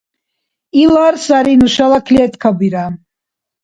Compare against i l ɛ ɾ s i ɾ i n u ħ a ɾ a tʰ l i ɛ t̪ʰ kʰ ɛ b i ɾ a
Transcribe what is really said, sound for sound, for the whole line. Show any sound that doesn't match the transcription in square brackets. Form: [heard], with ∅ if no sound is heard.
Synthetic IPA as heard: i l [a] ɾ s [a] ɾ i n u [ʃ] a [l] a [kʰ] l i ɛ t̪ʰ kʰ [a] b i ɾ a